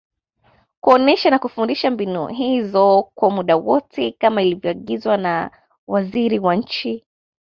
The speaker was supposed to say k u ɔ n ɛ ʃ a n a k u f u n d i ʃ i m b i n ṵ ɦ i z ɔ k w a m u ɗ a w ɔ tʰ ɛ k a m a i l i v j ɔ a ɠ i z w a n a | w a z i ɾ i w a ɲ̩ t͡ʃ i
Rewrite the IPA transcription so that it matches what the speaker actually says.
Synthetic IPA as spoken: k u ɔ n ɛ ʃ a n a k u f u n d i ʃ a m b i n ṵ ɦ i z ɔ k w a m u ɗ a w ɔ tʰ ɛ k a m a i l i v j ɔ a ɠ i z w a n a | w a z i ɾ i w a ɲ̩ t͡ʃ i

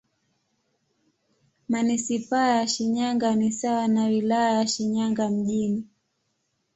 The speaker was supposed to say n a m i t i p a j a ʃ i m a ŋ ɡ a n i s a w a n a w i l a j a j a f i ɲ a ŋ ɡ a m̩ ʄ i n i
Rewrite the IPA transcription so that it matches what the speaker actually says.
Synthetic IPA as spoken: m a n i s i p a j a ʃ i ɲ a ŋ ɡ a n i s a w a n a w i l a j a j a ʃ i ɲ a ŋ ɡ a m̩ ʄ i n i

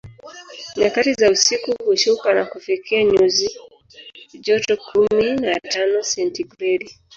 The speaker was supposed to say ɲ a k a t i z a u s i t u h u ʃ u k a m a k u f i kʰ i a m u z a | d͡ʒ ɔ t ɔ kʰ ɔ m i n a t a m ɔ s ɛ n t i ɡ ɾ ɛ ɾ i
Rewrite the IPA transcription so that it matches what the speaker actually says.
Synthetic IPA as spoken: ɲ a k a t i z a u s i k u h u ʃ u k a n a k u f i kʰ i a ɲ u z i | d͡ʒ ɔ t ɔ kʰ u m i n a t a n ɔ s ɛ n t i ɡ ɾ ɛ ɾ i

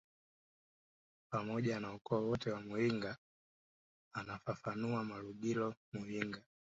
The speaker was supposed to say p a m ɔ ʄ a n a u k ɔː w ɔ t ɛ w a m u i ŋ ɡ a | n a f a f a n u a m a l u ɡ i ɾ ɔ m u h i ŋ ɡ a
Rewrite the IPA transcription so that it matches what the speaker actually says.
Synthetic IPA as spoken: p a m ɔ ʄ a n a u k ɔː w ɔ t ɛ w a m u i ŋ ɡ a | n a f a f a n u a m a l u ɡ i l ɔ m u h i ŋ ɡ a

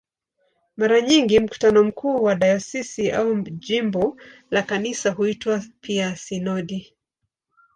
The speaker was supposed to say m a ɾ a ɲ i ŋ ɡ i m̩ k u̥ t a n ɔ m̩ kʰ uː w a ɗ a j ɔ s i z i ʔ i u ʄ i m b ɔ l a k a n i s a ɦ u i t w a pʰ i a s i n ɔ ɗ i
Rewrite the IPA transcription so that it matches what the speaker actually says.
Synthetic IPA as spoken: m a ɾ a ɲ i ŋ ɡ i m̩ k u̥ t a n ɔ m̩ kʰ uː w a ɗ a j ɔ s i s i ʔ a u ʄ i m b ɔ l a k a n i s a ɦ u i t w a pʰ i a s i n ɔ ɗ i

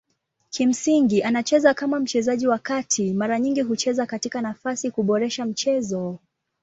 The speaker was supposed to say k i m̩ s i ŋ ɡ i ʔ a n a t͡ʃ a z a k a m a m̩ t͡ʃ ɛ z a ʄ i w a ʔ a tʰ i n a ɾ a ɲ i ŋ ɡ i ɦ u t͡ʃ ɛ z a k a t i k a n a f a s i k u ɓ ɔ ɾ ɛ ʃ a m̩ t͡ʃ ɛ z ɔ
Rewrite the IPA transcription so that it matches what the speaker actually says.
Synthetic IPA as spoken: k i m̩ s i ŋ ɡ i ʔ a n a t͡ʃ ɛ z a k a m a m̩ t͡ʃ ɛ z a ʄ i w a k a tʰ i m a ɾ a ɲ i ŋ ɡ i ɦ u t͡ʃ ɛ z a k a t i k a n a f a s i k u ɓ ɔ ɾ ɛ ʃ a m̩ t͡ʃ ɛ z ɔ

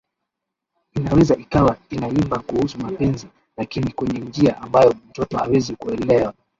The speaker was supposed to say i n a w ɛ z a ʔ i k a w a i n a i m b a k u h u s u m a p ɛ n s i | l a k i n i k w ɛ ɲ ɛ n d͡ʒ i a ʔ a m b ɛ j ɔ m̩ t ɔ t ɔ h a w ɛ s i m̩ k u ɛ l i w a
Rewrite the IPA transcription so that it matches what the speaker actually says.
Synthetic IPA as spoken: i n a w ɛ z a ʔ i k a w a i n a i m b a k u h u s u m a p ɛ n z i | l a k i n i k w ɛ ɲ ɛ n d͡ʒ i a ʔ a m b a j ɔ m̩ t ɔ t ɔ h a w ɛ z i k u ɛ l ɛ w a

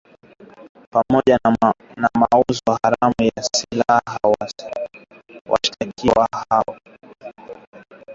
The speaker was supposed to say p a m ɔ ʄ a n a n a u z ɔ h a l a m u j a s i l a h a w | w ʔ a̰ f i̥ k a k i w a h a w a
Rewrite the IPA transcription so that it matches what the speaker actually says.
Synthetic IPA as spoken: p a m ɔ ʄ a n a m a u z ɔ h a ɾ a m u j a s i l a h a w | w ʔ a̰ ʃ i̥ t a k i w a h a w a

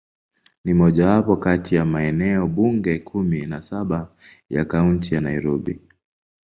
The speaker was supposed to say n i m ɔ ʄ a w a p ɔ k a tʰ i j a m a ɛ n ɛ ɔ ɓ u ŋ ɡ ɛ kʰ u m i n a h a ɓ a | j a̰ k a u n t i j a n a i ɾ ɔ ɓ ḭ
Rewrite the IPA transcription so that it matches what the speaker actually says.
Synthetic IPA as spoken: n i m ɔ ʄ a w a p ɔ k a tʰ i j a m a ɛ n ɛ ɔ ɓ u ŋ ɡ ɛ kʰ u m i n a s a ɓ a | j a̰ k a u n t i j a n a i ɾ ɔ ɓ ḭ

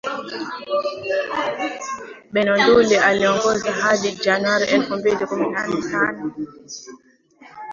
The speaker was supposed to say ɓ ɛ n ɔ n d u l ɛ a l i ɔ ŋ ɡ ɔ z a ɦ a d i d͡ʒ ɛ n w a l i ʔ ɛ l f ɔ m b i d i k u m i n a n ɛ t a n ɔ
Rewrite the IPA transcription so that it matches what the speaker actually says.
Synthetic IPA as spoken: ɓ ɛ n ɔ n d u l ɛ a l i ɔ ŋ ɡ ɔ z a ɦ a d i d͡ʒ a n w a ɾ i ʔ ɛ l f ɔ m b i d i k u m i n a n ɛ t a n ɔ

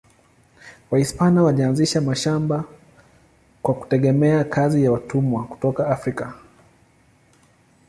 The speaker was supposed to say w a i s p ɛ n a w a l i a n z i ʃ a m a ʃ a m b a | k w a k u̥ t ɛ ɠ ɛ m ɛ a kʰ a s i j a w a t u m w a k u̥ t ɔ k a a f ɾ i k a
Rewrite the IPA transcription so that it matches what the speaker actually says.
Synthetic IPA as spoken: w a i s p a n a w a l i a n z i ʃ a m a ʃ a m b a | k w a k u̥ t ɛ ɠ ɛ m ɛ a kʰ a z i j a w a t u m w a k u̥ t ɔ k a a f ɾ i k a

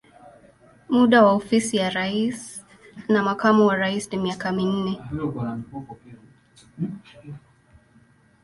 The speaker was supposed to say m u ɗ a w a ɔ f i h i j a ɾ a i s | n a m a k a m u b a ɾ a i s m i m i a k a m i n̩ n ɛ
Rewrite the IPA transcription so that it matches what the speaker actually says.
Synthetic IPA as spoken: m u ɗ a w a ɔ f i s i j a ɾ a i s | n a m a k a m u w a ɾ a i s n i m i a k a m i n̩ n ɛ

